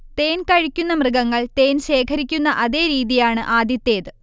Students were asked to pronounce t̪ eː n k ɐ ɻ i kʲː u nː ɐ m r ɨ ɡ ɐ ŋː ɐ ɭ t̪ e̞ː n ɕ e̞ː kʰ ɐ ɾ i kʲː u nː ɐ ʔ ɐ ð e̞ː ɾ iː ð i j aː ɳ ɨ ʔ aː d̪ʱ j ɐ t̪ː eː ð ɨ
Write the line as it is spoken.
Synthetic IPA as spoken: t̪ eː n k ɐ ɻ i kʲː u nː ɐ m r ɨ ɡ ɐ ŋː ɐ ɭ t̪ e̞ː n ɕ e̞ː kʰ ɐ ɾ i kʲː u nː ɐ ʔ ɐ ð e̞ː ɾ iː ð i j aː ɳ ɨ ʔ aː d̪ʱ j ɐ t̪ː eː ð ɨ